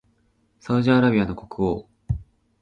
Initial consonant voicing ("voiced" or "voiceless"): voiceless